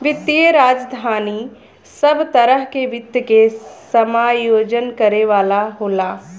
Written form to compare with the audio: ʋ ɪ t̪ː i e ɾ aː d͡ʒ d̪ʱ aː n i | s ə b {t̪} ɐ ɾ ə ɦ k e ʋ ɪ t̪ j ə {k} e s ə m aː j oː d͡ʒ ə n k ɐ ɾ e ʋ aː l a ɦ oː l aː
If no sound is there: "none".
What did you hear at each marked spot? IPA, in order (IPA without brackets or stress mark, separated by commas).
t̪, k